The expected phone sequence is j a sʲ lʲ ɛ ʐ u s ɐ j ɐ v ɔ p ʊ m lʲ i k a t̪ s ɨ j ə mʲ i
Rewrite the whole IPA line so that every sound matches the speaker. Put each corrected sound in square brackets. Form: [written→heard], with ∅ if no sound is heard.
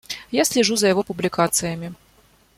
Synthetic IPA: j a sʲ lʲ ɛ ʐ u [s→z] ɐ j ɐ v ɔ p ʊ [m→b] lʲ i k a t̪ s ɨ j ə mʲ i